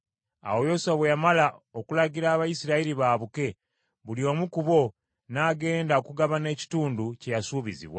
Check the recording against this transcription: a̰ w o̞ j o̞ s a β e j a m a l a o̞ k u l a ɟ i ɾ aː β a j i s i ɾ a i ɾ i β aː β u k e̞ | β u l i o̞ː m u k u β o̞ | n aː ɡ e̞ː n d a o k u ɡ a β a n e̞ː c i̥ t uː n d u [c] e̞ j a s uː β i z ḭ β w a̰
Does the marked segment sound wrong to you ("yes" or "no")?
no